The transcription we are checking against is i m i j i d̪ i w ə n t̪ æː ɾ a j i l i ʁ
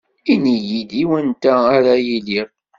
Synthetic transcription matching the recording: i n i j i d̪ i w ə n t̪ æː ɾ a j i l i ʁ